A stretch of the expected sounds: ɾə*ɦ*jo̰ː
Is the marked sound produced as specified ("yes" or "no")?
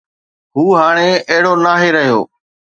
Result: yes